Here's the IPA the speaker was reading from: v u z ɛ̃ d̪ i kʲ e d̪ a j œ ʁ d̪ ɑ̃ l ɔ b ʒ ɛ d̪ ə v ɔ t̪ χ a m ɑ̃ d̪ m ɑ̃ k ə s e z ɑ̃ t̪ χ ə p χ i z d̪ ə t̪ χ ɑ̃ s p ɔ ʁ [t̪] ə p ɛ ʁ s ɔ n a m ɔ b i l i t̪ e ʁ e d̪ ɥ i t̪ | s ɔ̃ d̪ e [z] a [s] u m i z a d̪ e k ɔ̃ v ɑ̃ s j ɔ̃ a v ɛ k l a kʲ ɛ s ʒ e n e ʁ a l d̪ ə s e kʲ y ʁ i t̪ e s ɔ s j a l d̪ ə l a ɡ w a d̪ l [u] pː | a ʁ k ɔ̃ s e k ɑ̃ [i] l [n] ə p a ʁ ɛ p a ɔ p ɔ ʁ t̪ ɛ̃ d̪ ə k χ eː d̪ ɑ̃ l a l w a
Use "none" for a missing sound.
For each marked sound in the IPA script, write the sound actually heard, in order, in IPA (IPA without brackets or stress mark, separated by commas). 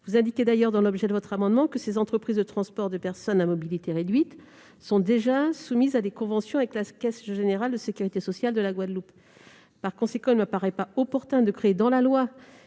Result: d̪, ʒ, s, u, i, m